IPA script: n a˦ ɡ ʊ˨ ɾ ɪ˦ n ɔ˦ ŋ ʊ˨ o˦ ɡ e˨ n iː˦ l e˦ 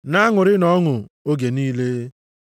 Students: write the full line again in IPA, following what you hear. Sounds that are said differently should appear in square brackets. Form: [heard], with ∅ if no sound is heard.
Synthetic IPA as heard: n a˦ [ŋ] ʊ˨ ɾ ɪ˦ n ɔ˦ ŋ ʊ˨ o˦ ɡ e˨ n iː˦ l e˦